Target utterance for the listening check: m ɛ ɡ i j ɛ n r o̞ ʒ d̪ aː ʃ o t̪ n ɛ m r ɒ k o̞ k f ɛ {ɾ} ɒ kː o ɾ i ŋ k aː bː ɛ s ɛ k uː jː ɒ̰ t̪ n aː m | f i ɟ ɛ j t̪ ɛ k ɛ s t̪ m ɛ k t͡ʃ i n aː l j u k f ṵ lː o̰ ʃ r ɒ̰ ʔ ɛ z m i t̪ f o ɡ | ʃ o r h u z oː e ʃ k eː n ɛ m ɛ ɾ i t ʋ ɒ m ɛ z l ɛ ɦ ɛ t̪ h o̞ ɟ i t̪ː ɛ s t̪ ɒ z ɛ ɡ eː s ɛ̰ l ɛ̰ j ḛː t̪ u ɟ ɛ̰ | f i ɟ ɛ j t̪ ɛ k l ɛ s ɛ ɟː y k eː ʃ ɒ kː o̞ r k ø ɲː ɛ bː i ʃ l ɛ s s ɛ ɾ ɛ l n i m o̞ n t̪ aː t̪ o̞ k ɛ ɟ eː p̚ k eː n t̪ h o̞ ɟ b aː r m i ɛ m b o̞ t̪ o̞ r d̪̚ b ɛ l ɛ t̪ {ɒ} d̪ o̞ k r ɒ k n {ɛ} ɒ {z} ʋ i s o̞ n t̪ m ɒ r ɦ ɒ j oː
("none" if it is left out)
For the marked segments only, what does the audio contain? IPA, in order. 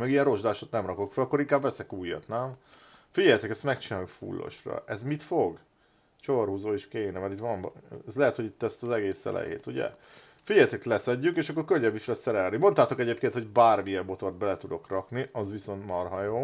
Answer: l, u, i, z

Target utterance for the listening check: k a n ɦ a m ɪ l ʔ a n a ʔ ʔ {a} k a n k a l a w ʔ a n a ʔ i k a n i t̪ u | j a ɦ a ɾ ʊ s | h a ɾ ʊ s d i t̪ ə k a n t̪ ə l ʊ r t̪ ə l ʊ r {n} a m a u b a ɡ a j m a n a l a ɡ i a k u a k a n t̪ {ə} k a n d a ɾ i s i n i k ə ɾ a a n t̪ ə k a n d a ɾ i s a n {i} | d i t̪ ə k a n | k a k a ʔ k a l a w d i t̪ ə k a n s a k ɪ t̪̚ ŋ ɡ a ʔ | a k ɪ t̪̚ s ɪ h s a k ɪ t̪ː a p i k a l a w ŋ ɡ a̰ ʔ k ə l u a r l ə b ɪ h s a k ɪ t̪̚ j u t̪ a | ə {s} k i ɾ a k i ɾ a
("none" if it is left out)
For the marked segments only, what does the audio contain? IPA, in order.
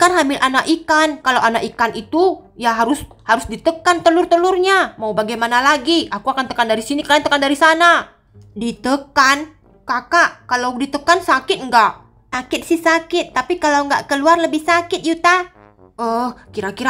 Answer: i, ɲ, ə, a, h

